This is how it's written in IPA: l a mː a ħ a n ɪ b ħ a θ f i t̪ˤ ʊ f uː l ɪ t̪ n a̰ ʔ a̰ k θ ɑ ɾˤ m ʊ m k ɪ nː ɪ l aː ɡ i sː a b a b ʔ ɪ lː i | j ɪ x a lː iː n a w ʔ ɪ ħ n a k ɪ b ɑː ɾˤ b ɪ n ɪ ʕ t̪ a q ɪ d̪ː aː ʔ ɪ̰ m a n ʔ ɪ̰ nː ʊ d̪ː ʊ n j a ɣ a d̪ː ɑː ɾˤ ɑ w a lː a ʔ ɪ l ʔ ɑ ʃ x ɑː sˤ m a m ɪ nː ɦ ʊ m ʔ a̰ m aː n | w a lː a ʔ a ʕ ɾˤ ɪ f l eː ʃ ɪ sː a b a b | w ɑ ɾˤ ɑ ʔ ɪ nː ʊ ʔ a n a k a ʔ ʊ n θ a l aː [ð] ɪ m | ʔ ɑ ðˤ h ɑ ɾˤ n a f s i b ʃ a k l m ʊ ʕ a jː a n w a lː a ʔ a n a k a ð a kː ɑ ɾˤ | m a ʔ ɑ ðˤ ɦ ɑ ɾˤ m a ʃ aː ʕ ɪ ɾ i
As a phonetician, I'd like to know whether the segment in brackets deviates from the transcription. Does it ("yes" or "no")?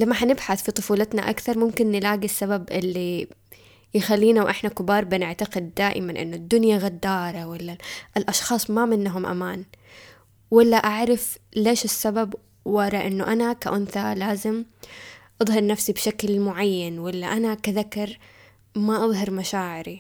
yes